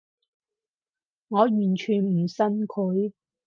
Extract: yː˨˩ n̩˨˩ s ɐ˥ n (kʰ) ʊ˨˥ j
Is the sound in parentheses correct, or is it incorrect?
correct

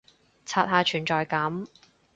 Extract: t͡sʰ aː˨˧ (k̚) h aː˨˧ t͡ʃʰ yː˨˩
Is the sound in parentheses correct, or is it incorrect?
incorrect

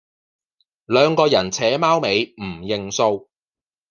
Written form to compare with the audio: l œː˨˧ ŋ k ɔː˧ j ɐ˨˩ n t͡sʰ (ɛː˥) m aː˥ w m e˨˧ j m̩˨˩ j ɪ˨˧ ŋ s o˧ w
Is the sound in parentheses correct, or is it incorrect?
incorrect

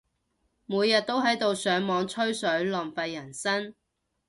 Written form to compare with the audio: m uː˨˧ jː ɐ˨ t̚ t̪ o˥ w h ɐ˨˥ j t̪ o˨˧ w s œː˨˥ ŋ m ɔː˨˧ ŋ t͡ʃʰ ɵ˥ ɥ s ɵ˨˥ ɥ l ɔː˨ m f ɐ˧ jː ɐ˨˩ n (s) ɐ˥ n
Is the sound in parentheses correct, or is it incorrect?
correct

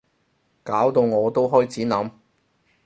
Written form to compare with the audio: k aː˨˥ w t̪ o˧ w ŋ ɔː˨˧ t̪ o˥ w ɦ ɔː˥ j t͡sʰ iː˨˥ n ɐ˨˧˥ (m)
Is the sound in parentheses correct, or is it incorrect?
correct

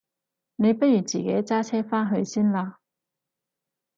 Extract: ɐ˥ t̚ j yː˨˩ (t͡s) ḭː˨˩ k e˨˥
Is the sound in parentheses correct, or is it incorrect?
correct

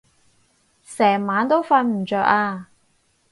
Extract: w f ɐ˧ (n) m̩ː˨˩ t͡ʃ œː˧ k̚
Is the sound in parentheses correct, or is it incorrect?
correct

